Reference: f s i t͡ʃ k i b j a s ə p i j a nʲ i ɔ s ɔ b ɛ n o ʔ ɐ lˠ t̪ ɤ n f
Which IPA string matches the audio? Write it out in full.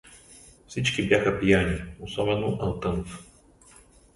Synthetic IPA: f s i t͡ʃ k i b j a x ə p i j a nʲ i o s ɔ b ɛ n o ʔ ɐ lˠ t̪ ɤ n f